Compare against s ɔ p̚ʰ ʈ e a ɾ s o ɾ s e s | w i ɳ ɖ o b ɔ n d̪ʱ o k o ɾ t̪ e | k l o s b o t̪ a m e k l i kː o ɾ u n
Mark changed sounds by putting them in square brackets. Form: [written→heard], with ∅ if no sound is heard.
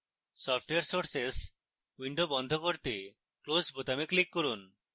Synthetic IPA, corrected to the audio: s ɔ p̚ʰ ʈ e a ɾ s o ɾ s e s | w i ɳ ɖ o b ɔ n d̪ʱ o k o ɾ t̪ e | k l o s b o t̪ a m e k l i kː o ɾ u n